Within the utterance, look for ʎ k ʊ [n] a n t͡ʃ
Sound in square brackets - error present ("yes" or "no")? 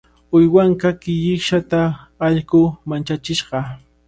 yes